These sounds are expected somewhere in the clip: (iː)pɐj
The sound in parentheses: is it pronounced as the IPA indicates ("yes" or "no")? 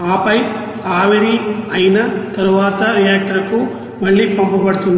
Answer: no